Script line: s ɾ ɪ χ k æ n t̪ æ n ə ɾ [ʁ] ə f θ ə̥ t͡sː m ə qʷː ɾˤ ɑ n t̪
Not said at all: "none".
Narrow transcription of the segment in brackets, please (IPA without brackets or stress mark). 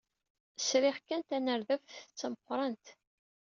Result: ð